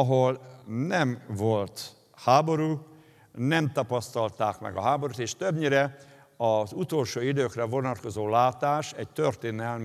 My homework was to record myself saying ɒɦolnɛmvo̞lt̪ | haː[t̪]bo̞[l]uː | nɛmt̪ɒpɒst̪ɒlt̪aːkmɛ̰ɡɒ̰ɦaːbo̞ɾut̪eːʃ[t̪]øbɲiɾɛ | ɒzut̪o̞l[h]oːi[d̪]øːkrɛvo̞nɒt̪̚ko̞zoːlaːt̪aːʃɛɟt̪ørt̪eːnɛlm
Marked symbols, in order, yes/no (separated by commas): no, no, yes, no, yes